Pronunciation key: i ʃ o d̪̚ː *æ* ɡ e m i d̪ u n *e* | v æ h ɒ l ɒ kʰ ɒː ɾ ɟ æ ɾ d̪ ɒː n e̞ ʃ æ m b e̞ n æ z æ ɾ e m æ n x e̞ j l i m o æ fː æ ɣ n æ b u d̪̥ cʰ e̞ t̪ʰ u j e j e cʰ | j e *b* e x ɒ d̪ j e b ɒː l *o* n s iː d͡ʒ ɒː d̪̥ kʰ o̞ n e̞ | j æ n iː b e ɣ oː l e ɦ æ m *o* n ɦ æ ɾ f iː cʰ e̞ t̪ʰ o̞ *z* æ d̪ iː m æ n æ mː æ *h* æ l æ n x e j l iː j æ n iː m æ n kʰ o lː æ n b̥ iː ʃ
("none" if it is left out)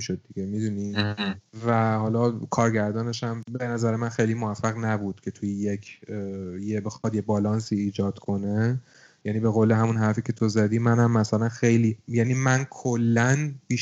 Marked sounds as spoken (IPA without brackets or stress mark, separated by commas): i, i, b, ɒ, u, z, s